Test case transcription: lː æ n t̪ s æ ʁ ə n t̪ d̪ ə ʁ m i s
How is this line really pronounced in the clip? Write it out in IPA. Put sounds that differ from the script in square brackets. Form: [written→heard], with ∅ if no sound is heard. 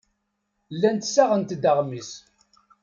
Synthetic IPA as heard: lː æ n t̪ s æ ʁ ə n t̪ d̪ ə ʁ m i s

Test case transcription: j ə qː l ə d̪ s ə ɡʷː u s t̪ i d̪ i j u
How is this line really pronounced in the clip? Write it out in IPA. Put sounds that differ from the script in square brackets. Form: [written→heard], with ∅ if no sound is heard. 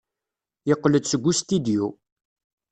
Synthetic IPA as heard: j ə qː l ə d̪ s ə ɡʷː u s t̪ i d̪ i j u

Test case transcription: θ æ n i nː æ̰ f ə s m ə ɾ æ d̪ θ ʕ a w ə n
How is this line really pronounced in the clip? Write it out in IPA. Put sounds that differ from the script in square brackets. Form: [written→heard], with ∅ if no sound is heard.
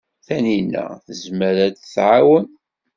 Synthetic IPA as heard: θ æ n i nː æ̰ [f→θ] ə [s→z] m ə ɾ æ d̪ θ ʕ a w ə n

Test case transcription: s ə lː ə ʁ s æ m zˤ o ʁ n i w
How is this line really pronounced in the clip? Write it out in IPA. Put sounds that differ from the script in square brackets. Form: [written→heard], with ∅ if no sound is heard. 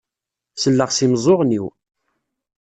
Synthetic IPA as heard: s ə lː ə ʁ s [æ→i] m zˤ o ʁ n i w

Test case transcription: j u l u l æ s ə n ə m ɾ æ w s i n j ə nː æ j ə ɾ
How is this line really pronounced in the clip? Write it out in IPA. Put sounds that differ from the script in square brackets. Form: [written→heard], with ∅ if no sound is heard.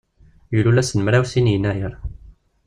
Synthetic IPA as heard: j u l u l æ s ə n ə m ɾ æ w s i n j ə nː æ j ə ɾ

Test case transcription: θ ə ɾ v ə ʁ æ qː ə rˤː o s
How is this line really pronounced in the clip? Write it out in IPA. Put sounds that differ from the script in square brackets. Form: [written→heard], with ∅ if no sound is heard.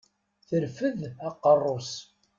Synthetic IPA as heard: θ ə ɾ [v→f] ə [ʁ→ð] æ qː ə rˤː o s

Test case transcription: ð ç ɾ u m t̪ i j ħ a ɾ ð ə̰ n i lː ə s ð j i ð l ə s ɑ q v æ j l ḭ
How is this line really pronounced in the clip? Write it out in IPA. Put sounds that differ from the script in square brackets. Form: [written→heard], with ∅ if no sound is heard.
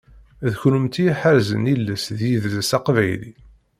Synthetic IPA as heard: ð ç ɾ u m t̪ i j ħ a ɾ [ð→z] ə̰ n i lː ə s ð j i ð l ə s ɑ q v æ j l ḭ

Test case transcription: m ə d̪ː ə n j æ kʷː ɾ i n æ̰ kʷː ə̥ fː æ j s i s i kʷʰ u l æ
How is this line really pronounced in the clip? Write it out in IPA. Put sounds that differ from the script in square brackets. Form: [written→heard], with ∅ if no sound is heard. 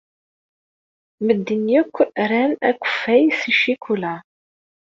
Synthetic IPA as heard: m ə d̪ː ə n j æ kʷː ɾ [i→æ] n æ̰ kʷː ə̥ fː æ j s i [s→ʃ] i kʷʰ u l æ

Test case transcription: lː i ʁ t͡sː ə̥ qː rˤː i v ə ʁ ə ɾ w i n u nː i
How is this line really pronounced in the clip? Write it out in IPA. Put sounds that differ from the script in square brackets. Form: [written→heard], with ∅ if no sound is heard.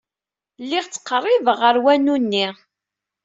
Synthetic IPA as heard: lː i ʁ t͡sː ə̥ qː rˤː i v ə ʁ ə ɾ w [i→æ] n u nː i

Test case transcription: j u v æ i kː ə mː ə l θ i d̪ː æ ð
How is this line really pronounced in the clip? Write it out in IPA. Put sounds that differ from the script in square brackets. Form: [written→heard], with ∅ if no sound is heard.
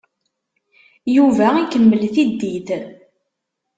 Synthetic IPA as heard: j u v æ i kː ə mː ə l θ i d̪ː [æ→i] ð

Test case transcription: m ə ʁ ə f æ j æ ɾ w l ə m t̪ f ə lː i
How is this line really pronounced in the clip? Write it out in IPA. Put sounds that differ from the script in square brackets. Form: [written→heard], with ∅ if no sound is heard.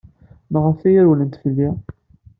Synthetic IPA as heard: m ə ʁ ə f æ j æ ɾ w l ə [m→n] t̪ f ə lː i

